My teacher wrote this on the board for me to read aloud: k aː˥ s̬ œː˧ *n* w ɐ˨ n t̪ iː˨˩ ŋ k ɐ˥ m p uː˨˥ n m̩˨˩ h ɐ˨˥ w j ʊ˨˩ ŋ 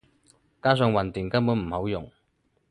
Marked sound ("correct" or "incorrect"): incorrect